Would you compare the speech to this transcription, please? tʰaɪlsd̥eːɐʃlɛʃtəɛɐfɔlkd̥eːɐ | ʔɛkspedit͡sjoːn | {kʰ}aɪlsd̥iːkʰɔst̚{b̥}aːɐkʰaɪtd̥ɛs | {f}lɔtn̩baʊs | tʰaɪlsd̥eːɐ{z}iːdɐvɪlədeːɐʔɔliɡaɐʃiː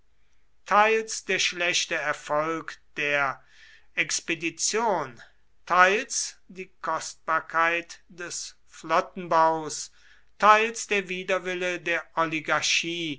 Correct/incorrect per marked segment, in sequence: incorrect: tʰ, correct, correct, incorrect: v

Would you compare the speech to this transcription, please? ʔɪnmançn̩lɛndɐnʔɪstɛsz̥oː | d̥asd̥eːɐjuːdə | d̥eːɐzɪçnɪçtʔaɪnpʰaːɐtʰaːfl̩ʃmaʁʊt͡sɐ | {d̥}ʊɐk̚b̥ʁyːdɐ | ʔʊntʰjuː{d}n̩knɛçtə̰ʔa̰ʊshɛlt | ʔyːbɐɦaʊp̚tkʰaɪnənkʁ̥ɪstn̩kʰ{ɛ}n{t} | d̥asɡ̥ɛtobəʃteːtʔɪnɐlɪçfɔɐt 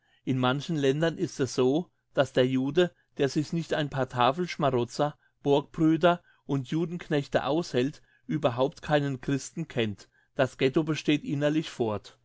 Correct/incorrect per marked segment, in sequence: incorrect: b̥, correct, correct, correct

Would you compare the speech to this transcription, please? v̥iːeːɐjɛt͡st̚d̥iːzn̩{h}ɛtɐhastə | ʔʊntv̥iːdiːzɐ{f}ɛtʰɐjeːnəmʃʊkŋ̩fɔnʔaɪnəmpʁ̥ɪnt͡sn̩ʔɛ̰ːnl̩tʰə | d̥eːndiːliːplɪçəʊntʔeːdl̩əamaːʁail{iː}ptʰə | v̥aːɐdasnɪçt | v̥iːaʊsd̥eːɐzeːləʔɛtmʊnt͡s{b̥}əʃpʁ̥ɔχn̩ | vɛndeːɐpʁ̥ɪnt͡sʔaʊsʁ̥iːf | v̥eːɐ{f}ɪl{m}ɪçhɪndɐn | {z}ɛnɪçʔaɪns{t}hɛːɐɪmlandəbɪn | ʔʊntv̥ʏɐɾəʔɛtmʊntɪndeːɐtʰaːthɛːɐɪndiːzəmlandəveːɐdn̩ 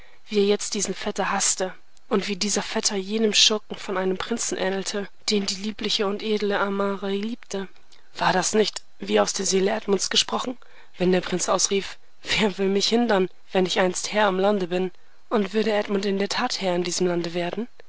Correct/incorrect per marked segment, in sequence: incorrect: f, correct, correct, incorrect: ɡ̥, incorrect: v, correct, incorrect: v, correct

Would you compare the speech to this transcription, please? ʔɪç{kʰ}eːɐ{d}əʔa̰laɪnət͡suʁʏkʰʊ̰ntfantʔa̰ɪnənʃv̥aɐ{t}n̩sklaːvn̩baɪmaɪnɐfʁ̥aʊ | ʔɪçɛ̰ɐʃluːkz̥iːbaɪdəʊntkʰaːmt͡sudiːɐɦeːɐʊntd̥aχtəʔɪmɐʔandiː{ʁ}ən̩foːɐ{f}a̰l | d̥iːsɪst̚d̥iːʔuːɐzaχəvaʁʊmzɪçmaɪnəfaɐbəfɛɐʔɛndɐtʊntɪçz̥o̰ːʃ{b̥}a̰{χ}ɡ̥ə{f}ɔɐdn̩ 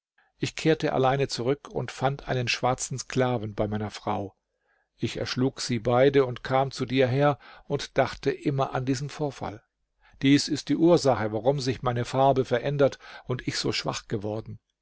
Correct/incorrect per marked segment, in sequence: correct, incorrect: t, incorrect: t͡s, incorrect: z, correct, incorrect: v̥, correct, incorrect: v

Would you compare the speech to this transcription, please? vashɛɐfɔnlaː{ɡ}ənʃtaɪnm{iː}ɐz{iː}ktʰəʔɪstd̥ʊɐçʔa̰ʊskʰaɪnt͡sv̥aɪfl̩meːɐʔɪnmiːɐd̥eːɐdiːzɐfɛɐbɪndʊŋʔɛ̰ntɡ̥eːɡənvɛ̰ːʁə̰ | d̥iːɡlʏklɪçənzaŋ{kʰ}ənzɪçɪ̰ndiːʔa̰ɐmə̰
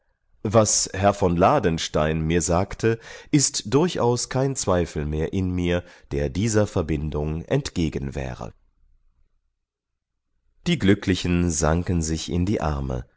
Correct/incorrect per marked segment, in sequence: incorrect: d, correct, incorrect: aː, incorrect: k

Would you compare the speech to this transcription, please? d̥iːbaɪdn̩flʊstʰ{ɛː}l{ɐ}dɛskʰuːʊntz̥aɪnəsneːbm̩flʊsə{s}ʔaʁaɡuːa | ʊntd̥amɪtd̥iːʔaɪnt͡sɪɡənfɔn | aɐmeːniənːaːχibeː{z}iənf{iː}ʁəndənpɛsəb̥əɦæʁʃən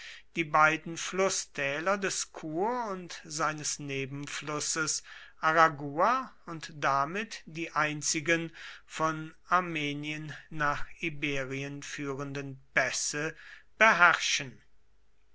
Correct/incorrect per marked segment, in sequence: correct, correct, correct, incorrect: ʁ, incorrect: yː

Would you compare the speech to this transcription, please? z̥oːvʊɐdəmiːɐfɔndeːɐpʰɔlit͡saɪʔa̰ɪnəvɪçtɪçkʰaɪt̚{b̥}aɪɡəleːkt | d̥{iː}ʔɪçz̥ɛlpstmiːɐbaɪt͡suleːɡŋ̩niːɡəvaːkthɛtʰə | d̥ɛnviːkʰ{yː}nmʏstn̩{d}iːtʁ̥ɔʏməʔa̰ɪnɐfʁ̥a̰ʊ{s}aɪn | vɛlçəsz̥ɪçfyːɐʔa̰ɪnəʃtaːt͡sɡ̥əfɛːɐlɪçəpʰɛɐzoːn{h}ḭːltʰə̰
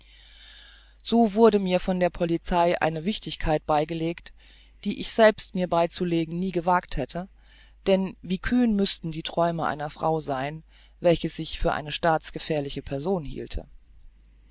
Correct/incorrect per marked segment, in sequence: correct, correct, correct, correct, incorrect: z, correct

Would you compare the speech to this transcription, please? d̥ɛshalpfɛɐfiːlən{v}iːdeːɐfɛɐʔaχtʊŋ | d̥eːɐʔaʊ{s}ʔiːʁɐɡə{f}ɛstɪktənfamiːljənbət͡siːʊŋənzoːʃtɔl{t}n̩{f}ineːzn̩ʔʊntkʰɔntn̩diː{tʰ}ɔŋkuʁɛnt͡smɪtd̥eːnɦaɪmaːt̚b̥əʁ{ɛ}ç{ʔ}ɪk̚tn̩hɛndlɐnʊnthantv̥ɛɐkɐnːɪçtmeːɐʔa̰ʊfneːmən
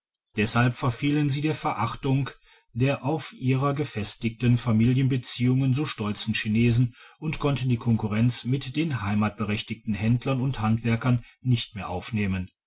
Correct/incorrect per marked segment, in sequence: incorrect: z, incorrect: f, correct, incorrect: t͡s, incorrect: ʃ, incorrect: kʰ, correct, incorrect: t

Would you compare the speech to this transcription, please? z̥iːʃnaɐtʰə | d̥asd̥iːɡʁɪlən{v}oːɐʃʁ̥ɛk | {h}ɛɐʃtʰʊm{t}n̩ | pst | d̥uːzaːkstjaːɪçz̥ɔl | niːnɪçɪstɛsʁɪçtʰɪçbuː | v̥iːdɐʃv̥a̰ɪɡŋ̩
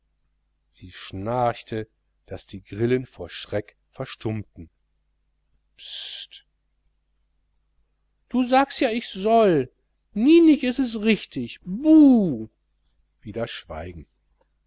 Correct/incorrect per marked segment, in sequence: incorrect: f, incorrect: f, correct

